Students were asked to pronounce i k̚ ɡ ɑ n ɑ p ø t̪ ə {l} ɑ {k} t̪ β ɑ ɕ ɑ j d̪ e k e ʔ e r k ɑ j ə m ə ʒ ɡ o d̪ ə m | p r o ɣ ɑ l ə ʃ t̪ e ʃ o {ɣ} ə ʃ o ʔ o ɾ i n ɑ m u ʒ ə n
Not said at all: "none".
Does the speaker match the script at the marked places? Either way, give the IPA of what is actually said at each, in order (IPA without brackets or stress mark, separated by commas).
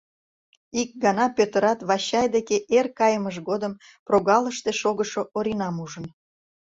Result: ɾ, none, ɣ